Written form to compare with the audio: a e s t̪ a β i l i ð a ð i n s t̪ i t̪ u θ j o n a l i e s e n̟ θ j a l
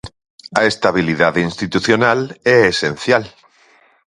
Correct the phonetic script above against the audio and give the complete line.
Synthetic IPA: a e s t̪ a β i l i ð a ð i n s t̪ i t̪ u θ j o n a l e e s e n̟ θ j a l